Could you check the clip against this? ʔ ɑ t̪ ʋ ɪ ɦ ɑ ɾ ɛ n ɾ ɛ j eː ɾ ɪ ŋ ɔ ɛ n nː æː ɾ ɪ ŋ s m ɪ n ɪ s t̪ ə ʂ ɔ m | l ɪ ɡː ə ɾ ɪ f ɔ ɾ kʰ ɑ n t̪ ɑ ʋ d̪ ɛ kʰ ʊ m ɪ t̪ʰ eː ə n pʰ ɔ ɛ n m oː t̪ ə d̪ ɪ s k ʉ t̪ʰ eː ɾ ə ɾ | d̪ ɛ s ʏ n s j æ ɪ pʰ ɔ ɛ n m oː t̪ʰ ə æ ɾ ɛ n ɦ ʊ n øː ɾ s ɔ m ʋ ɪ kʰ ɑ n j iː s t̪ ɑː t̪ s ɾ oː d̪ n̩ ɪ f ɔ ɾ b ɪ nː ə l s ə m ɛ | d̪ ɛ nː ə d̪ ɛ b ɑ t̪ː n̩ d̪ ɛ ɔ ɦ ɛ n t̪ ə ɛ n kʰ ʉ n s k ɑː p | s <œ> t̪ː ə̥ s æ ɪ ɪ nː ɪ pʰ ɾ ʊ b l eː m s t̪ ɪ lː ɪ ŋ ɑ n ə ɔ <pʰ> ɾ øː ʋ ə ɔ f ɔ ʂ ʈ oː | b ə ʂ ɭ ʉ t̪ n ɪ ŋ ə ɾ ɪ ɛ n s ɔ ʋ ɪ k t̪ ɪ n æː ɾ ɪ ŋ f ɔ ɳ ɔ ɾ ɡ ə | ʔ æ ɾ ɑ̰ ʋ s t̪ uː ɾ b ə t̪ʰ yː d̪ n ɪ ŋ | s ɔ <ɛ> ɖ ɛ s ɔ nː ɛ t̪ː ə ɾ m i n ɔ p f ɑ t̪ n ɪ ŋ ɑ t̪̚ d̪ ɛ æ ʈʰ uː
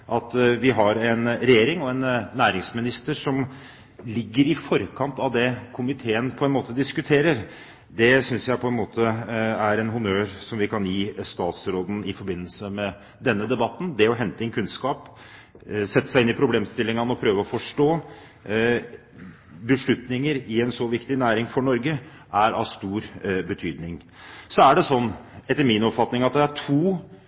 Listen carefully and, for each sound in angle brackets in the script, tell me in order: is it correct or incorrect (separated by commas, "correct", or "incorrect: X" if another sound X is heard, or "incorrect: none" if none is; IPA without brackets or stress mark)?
incorrect: ɛ, correct, incorrect: æ